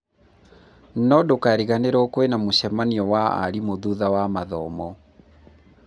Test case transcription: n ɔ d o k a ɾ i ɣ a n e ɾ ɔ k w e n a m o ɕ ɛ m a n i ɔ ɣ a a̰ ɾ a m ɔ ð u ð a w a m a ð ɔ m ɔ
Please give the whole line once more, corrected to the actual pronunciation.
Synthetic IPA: n ɔ d o k a ɾ i ɣ a n e ɾ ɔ k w e n a m o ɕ ɛ m a n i ɔ w a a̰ ɾ i m o ð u ð a w a m a ð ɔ m ɔ